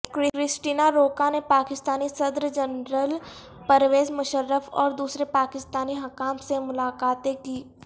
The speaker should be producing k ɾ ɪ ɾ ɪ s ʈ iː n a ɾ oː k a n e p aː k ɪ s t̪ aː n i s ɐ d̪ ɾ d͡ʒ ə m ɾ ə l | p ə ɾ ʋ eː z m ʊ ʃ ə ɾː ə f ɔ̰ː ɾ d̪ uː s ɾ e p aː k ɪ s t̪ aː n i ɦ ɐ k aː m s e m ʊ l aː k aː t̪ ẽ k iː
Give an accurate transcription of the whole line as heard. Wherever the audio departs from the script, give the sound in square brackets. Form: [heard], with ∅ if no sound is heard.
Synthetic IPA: k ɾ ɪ ɾ ɪ s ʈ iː n a ɾ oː k a n e p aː k ɪ s t̪ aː n i s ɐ d̪ ɾ d͡ʒ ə [n] ɾ ə l | p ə ɾ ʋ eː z m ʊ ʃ ə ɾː ə f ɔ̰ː ɾ d̪ uː s ɾ e p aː k ɪ s t̪ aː n i ɦ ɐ k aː m s e m ʊ l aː k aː t̪ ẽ k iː

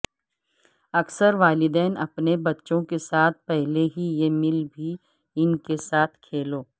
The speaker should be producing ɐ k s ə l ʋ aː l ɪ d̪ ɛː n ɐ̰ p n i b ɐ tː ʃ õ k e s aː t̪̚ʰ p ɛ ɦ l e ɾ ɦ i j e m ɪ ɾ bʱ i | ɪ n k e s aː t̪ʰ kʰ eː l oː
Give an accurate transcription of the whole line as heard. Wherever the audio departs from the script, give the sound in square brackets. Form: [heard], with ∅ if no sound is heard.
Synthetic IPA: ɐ k s ə [ɾ] ʋ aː l ɪ d̪ ɛː n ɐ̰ p n [e] b ɐ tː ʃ õ k e s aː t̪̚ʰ p ɛ ɦ l e [∅] ɦ i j e m ɪ [l] bʱ i | ɪ n k e s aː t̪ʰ kʰ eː l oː

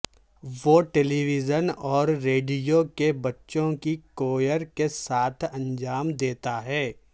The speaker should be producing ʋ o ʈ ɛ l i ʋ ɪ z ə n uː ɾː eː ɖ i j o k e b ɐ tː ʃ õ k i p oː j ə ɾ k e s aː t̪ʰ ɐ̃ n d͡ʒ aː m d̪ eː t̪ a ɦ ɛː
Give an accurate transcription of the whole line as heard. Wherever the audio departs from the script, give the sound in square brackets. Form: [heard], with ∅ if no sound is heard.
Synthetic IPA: ʋ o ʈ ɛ l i ʋ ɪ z ə n [ɔː] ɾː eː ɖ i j o k e b ɐ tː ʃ õ k i [k] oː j ə ɾ k e s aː t̪ʰ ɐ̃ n d͡ʒ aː m d̪ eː t̪ a ɦ ɛː

